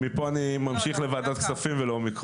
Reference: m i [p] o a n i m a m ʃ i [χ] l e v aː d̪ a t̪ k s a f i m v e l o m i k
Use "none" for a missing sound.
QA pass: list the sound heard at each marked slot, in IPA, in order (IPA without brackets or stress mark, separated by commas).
p, χ